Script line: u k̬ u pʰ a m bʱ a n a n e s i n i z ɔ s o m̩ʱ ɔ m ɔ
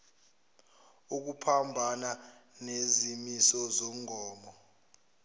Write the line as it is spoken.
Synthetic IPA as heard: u k̬ u pʰ a m bʱ a n a n e z i m i s ɔ z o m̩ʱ ɔː m ɔ